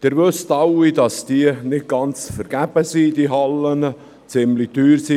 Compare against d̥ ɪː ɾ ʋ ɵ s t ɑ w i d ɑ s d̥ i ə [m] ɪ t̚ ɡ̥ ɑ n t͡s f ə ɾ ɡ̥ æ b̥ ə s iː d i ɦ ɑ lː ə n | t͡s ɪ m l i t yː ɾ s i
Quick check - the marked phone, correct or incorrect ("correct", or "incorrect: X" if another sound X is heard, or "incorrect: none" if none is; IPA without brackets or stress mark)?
incorrect: n